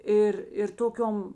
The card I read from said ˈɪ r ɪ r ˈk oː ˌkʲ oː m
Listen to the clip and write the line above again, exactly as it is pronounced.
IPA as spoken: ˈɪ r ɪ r ˈt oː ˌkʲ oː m